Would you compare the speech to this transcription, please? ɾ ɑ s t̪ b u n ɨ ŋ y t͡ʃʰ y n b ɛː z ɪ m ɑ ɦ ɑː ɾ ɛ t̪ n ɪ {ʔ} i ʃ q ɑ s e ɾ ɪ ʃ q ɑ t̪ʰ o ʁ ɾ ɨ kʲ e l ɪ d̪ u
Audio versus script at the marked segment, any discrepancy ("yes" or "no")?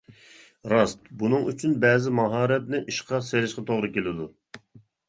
no